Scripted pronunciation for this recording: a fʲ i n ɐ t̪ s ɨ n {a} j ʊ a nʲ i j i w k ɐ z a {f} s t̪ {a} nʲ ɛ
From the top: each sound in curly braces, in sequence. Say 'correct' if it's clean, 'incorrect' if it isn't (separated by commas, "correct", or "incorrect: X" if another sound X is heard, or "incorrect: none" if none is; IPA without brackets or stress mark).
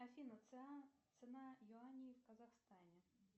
correct, incorrect: x, correct